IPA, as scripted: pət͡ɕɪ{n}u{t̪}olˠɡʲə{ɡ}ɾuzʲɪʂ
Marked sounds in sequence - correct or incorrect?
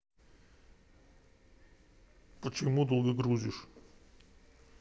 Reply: incorrect: m, incorrect: d̪, correct

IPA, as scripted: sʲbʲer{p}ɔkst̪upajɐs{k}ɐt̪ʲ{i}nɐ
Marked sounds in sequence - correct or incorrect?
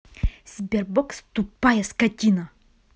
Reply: incorrect: b, correct, correct

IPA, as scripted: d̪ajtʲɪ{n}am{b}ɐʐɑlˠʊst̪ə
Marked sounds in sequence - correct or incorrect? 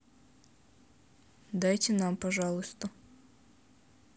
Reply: correct, incorrect: p

